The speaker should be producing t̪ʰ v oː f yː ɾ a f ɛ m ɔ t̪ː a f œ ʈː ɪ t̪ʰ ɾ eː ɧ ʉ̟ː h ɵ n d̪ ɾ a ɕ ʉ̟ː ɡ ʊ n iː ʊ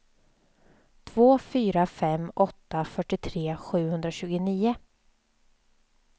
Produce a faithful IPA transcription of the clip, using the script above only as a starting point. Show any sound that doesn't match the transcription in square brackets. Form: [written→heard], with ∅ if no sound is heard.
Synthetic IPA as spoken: t̪ʰ v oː f yː ɾ a f ɛ m ɔ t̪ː a f œ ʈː ɪ t̪ʰ ɾ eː ɧ ʉ̟ː h ɵ n d̪ ɾ a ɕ ʉ̟ː ɡ ʊ n iː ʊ